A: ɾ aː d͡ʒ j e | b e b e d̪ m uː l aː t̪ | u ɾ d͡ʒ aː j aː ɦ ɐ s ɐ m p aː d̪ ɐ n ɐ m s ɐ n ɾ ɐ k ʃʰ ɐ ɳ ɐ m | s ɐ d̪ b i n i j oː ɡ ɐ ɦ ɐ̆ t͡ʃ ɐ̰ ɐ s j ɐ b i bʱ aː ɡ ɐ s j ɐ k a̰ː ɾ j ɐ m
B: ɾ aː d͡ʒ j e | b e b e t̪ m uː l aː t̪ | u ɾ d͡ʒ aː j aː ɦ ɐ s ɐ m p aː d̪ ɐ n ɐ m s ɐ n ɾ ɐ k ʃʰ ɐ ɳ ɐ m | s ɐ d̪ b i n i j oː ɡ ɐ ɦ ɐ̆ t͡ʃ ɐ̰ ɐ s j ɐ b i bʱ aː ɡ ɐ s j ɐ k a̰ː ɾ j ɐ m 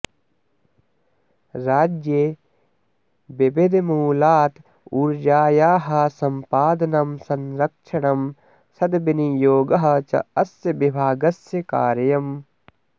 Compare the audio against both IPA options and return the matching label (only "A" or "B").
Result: A